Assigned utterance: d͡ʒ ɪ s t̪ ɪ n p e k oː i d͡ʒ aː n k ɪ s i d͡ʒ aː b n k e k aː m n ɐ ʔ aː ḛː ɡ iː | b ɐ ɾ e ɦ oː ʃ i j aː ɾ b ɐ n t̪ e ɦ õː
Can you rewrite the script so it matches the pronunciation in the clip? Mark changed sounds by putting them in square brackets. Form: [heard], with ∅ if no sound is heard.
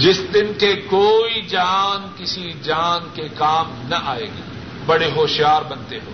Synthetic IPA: d͡ʒ ɪ s [d̪] ɪ n [k] e k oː i d͡ʒ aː n k ɪ s i d͡ʒ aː [∅] n k e k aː m n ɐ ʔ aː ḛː ɡ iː | b ɐ [ɽ] e ɦ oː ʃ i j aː ɾ b ɐ n t̪ e ɦ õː